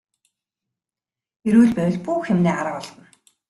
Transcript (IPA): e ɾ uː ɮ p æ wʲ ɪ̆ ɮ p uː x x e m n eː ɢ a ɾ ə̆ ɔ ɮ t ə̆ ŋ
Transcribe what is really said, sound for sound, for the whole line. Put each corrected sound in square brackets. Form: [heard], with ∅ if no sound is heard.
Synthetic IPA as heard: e ɾ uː ɮ p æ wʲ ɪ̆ ɮ p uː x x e m n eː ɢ a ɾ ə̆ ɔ ɮ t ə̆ [n]